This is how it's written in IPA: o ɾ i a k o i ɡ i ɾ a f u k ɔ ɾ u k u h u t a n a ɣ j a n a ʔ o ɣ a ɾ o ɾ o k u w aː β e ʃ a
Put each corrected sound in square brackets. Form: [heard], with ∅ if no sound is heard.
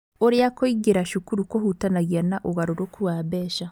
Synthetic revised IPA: o ɾ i a k o i ɡ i ɾ a [ʃ] u k [u] ɾ u k [o] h u t a n a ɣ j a n a ʔ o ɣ a ɾ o ɾ o k u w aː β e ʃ a